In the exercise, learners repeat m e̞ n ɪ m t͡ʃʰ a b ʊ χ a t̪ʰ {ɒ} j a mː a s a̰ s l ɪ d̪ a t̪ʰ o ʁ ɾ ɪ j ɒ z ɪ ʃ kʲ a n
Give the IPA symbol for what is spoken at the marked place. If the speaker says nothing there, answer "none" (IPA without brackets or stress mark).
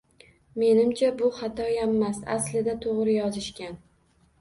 ɒ